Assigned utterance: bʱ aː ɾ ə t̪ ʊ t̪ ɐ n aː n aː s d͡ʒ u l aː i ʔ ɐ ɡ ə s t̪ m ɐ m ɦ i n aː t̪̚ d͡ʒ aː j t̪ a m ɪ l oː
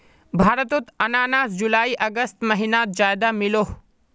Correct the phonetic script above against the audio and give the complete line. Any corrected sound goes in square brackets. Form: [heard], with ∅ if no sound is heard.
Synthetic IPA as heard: bʱ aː ɾ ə t̪ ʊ t̪ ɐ n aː n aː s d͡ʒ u l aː i ʔ ɐ ɡ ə s t̪ m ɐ [∅] ɦ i n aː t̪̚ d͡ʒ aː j [d̪] a m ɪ l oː